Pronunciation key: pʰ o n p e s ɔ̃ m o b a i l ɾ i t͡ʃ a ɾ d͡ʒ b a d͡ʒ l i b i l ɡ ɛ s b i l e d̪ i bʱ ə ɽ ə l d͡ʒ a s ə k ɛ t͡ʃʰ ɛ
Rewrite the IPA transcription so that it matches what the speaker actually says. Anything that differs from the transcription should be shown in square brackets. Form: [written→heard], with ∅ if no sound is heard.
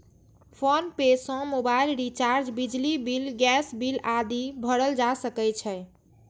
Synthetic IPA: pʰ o n p e s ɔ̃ m o b a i l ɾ i t͡ʃ a ɾ d͡ʒ b [a→i] d͡ʒ l i b i l ɡ ɛ s b i l [e→a] d̪ i bʱ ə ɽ ə l d͡ʒ a s ə k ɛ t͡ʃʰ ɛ